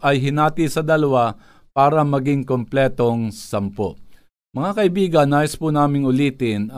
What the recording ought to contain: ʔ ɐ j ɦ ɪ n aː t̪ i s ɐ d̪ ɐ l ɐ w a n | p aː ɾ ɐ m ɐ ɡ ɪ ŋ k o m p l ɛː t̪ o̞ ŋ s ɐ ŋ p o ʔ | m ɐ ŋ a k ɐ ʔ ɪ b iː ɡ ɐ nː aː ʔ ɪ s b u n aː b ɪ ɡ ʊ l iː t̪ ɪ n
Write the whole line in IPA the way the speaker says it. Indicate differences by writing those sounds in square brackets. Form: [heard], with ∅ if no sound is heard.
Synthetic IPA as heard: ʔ ɐ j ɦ ɪ n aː t̪ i s ɐ d̪ ɐ l ɐ w a [∅] | p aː ɾ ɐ m ɐ ɡ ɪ ŋ k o m p l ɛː t̪ o̞ ŋ s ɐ [m] p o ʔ | m ɐ ŋ a k ɐ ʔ ɪ b iː ɡ ɐ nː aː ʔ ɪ s [p] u n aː [m] ɪ [ŋ] ʊ l iː t̪ ɪ n